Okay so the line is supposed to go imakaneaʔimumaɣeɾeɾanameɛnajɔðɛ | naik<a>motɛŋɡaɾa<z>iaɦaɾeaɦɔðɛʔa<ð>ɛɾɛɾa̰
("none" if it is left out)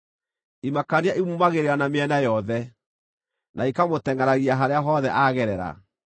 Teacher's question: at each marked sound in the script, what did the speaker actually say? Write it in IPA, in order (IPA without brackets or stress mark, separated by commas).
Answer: a, ɣ, ɣ